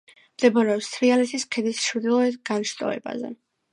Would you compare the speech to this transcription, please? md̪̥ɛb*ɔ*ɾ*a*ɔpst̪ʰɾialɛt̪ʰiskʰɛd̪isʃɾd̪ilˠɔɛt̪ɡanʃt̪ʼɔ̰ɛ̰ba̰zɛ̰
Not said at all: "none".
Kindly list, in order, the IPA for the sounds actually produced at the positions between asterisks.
ɔ, ɛ

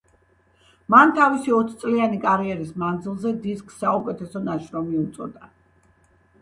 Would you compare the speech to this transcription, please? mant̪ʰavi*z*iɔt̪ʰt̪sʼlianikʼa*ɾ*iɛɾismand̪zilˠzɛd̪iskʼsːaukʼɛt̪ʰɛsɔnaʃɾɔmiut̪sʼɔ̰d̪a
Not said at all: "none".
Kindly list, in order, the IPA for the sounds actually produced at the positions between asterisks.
s, ɾ

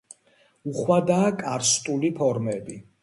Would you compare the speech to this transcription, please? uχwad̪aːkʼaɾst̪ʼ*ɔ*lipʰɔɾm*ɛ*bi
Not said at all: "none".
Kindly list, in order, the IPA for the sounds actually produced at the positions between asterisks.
u, ɛ

